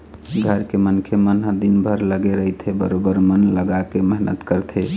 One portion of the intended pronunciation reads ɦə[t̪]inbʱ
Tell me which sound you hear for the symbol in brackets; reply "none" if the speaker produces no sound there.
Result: d̪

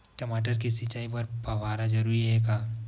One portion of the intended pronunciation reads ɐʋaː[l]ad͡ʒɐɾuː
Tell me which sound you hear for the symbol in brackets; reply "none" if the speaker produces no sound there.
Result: ɾ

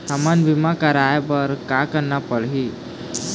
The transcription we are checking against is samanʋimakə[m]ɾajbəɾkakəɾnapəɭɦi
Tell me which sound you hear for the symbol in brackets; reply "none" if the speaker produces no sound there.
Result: none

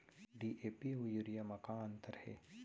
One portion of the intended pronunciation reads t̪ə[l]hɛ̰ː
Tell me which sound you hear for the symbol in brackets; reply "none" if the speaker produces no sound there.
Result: ɾ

